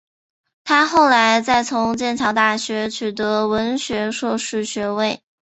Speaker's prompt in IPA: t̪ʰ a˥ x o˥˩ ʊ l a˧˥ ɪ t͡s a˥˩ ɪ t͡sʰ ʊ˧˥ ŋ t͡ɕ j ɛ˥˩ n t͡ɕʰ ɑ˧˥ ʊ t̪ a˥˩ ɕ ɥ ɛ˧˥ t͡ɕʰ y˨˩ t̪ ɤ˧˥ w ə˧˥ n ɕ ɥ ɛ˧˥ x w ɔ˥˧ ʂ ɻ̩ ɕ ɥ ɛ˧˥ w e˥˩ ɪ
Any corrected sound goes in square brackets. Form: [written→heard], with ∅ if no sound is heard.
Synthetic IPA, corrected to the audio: t̪ʰ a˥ x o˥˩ ʊ l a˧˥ ɪ t͡s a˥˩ ɪ t͡sʰ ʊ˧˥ ŋ t͡ɕ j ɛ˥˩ n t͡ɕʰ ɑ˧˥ ʊ t̪ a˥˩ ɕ ɥ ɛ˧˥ t͡ɕʰ y˨˩ t̪ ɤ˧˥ w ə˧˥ n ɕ ɥ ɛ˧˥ [x→ʂ] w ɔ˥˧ ʂ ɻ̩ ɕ ɥ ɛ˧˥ w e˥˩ ɪ